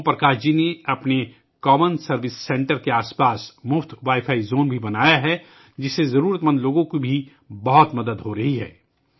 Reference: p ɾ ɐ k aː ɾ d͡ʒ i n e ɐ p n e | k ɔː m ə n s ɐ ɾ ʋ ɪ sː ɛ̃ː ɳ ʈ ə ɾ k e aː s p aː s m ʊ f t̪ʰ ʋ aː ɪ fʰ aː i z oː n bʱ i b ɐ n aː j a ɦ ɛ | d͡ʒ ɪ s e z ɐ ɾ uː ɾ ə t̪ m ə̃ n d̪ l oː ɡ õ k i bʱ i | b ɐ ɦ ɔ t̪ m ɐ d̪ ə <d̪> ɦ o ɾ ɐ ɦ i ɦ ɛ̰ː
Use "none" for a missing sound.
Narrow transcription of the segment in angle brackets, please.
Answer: d̪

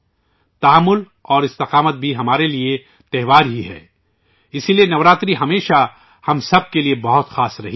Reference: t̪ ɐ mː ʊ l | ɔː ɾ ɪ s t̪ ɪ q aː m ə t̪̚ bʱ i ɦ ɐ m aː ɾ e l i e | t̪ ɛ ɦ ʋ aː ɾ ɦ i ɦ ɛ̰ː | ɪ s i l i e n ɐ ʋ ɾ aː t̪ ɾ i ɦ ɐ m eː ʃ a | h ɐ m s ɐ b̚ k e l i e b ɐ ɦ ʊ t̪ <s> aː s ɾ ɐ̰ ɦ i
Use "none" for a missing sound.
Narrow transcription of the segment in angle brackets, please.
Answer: x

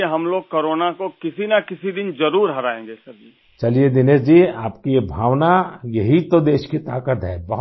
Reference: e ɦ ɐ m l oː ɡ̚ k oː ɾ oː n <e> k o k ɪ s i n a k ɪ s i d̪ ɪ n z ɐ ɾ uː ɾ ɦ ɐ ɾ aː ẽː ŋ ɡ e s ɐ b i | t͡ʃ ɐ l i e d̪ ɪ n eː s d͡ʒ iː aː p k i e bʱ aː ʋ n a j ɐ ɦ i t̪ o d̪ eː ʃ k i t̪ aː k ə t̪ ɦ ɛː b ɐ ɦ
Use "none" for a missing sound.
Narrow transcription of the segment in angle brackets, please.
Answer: a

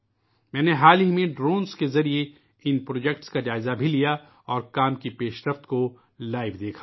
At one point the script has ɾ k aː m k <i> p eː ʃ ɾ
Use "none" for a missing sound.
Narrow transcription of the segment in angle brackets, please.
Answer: i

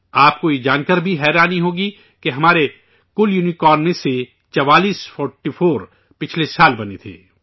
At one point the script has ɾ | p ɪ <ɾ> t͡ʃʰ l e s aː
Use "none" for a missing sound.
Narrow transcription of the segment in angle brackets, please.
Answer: none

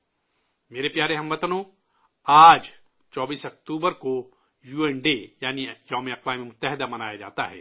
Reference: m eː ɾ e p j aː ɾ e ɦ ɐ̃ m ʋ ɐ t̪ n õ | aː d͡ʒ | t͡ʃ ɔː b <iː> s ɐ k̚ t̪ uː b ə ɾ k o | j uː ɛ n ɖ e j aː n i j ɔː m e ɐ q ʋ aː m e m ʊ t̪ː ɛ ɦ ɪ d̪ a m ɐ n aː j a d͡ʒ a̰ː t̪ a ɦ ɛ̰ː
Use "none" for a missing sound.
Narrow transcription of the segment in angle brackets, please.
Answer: iː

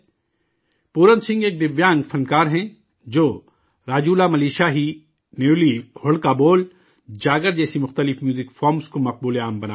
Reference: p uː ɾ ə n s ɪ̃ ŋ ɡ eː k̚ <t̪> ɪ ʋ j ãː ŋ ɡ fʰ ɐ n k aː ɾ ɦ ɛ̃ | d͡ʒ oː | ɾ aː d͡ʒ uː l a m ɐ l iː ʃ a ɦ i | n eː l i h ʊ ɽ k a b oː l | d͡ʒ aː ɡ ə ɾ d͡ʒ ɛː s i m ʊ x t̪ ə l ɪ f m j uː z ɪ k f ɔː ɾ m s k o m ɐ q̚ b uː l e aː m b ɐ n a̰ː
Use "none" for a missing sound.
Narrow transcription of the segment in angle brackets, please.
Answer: d̪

